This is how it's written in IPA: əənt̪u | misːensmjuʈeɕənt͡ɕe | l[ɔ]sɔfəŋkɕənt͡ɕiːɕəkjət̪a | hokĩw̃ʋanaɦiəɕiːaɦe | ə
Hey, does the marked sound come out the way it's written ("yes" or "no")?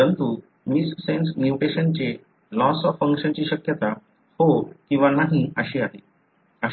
yes